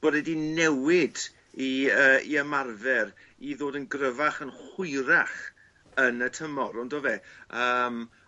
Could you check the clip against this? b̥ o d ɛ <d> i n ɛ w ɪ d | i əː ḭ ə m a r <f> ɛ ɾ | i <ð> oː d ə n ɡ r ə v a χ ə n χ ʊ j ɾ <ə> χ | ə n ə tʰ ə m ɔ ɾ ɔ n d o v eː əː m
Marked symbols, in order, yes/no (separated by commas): yes, no, yes, no